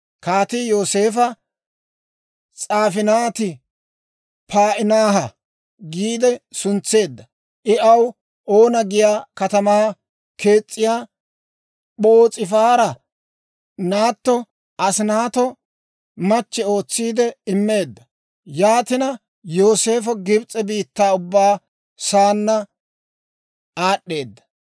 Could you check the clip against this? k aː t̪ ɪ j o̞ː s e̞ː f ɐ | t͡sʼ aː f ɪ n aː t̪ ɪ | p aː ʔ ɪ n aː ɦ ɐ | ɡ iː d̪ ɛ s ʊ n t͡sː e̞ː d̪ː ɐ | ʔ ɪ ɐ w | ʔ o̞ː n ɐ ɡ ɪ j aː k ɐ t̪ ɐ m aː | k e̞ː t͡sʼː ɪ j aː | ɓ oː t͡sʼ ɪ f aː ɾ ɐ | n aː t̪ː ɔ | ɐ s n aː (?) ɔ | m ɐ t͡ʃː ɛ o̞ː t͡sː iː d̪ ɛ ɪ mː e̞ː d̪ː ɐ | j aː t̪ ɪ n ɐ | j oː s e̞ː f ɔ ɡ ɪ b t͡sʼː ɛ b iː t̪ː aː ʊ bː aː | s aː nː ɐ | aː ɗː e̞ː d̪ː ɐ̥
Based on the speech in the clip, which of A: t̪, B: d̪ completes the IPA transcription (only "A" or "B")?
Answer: A